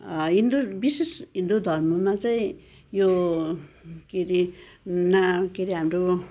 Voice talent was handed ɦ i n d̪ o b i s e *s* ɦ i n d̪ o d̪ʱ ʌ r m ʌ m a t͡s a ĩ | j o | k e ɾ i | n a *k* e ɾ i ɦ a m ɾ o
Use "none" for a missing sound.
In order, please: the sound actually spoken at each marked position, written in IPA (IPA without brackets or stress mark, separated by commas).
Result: s, k